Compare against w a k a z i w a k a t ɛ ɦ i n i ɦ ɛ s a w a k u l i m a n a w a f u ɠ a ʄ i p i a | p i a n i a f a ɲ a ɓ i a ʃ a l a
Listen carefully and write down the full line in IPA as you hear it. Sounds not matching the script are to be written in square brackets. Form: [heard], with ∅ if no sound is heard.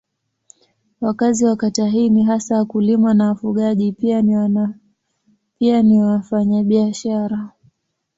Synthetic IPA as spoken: w a k a z i w a k a t [a] ɦ i n i ɦ [a] s a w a k u l i m a n a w a f u ɠ a ʄ i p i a | p i a n i a f a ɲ a ɓ i a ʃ a [ɾ] a